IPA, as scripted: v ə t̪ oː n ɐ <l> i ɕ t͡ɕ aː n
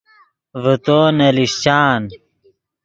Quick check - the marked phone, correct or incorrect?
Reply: correct